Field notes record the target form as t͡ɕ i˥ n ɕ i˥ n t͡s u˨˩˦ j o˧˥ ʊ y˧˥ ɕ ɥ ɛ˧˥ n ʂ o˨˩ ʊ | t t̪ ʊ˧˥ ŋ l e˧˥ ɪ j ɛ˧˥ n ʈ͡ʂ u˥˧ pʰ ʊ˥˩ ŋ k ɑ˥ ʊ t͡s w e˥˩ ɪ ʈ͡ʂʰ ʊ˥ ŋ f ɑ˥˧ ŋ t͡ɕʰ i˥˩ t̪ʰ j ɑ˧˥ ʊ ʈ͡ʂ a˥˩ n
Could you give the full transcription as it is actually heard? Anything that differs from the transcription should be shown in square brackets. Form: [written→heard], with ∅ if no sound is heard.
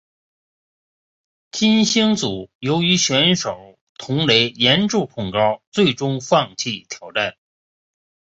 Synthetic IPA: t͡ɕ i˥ n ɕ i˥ [n→ŋ] t͡s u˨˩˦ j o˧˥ ʊ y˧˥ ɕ ɥ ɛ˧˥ n ʂ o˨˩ ʊ | t [t̪→t̪ʰ] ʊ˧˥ ŋ l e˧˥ ɪ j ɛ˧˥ n ʈ͡ʂ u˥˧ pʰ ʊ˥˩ ŋ k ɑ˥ ʊ t͡s w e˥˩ ɪ [ʈ͡ʂʰ→ʈ͡ʂ] ʊ˥ ŋ f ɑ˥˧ ŋ t͡ɕʰ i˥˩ t̪ʰ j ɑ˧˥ ʊ ʈ͡ʂ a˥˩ n